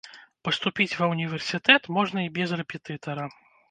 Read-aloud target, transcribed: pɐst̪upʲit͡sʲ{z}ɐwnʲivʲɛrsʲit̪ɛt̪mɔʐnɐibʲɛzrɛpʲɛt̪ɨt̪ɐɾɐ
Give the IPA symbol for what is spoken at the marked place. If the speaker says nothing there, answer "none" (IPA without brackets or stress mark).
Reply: v